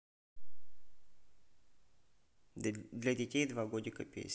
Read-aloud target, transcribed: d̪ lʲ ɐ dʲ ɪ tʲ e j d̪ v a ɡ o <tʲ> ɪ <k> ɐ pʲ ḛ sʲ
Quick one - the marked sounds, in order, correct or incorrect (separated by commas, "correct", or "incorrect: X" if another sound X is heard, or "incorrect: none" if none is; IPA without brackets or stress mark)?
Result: incorrect: dʲ, correct